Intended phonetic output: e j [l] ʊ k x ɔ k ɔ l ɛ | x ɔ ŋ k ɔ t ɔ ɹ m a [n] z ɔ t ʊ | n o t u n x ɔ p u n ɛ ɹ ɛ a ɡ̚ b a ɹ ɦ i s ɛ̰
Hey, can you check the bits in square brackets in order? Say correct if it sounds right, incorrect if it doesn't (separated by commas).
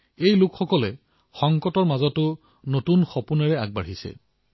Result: correct, incorrect